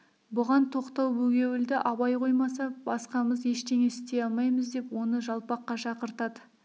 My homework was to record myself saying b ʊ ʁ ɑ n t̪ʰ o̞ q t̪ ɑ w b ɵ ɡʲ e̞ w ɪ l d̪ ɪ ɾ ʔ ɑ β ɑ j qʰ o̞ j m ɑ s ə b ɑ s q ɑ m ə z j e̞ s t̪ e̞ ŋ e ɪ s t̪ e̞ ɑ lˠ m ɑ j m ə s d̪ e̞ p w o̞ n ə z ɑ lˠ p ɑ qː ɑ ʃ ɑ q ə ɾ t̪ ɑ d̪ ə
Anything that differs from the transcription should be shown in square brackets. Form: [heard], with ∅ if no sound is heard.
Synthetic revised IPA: b ʊ ʁ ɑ n t̪ʰ o̞ q t̪ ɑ w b ɵ ɡʲ e̞ w ɪ l d̪ ɪ [∅] ʔ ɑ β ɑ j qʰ o̞ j m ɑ s [ɑ] b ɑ s q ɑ m ə z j e̞ [ʃ] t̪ e̞ ŋ e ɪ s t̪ e̞ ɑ lˠ m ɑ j m ə [z] d̪ e̞ p w o̞ n ə [ʒ] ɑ lˠ p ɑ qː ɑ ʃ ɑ q ə ɾ t̪ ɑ d̪ ə